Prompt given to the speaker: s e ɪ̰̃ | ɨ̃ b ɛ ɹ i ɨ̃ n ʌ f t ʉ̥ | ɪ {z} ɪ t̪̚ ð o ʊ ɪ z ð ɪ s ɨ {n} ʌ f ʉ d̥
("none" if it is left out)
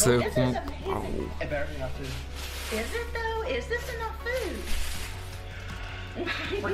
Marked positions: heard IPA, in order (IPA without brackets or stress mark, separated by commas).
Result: z, n